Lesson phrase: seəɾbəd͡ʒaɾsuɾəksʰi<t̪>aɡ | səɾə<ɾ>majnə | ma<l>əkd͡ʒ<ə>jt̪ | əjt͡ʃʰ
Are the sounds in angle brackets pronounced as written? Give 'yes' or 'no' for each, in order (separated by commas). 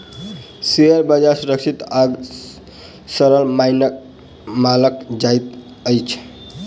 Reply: yes, no, yes, no